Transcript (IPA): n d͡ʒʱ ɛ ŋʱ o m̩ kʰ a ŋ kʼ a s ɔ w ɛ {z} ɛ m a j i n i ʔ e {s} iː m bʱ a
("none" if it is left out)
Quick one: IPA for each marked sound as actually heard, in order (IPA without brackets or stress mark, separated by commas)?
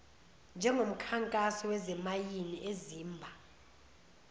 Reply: z, z